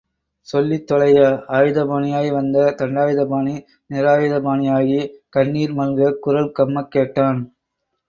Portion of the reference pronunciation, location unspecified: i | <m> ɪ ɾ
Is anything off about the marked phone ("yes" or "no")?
yes